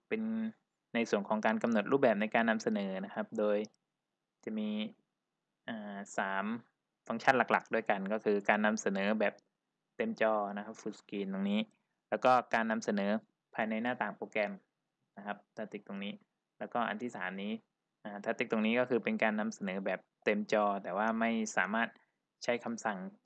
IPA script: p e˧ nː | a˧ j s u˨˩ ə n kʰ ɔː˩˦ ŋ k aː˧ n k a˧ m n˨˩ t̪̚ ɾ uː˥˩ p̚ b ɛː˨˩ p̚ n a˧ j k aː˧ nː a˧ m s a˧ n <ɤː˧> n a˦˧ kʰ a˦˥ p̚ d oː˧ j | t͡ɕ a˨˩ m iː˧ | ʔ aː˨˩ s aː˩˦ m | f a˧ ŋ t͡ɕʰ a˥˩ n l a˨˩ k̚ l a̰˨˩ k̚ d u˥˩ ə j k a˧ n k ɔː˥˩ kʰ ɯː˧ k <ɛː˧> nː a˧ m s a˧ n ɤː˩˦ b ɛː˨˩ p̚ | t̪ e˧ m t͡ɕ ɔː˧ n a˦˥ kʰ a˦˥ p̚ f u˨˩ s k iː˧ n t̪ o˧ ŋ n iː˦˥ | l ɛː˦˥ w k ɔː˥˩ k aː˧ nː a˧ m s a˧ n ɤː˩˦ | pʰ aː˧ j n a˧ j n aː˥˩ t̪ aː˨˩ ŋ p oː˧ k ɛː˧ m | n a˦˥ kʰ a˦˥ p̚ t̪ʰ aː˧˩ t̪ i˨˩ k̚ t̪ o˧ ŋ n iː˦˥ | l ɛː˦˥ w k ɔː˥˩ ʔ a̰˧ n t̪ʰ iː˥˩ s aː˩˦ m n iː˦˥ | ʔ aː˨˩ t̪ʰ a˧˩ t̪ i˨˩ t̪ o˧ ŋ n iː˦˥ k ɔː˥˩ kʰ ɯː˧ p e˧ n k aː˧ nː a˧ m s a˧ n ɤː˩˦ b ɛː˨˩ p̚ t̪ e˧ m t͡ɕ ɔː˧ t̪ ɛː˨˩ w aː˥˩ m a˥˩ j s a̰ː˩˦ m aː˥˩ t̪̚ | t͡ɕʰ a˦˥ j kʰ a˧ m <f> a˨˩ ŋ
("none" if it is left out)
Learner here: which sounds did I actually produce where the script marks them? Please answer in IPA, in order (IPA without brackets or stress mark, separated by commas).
ɤː˩˦, aː˧, s